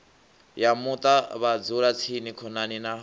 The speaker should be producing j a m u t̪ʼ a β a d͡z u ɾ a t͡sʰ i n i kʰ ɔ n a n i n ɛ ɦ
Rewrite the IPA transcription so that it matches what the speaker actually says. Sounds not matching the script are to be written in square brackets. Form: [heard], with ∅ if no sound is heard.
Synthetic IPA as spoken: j a m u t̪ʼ a β a d͡z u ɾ a t͡sʰ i n i kʰ ɔ n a n i n [a] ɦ